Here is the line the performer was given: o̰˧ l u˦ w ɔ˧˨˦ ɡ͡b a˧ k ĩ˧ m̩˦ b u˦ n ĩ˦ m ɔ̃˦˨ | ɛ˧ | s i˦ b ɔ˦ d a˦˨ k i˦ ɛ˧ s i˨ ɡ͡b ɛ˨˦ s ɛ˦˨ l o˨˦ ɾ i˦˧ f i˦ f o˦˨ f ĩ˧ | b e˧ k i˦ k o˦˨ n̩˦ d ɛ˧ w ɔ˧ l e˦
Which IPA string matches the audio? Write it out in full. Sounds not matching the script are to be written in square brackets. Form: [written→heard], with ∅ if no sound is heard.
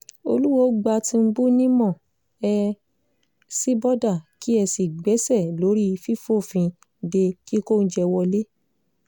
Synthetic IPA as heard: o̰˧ l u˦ w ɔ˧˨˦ ɡ͡b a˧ [k→t] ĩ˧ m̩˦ b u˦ n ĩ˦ m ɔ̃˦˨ | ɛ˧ | s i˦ b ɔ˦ d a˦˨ k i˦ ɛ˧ s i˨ ɡ͡b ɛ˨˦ s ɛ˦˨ l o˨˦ ɾ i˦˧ f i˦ f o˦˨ f ĩ˧ | [b→d] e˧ k i˦ k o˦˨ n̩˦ [d→d͡ʒ] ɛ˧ w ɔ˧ l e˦